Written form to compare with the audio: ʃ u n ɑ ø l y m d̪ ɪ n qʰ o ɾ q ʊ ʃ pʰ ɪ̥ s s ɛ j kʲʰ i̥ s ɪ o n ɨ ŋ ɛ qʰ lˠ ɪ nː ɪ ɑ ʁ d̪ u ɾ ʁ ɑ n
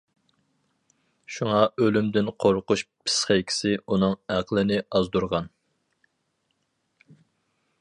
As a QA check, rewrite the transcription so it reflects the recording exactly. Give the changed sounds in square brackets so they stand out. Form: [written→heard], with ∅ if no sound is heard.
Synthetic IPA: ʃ u [n→ŋ] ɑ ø l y m d̪ ɪ n qʰ o ɾ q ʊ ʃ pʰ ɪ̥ s [s→χ] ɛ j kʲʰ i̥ s ɪ [o→u] n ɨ ŋ [ɛ→æ] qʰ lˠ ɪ [nː→n] ɪ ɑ [ʁ→z] d̪ u ɾ ʁ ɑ n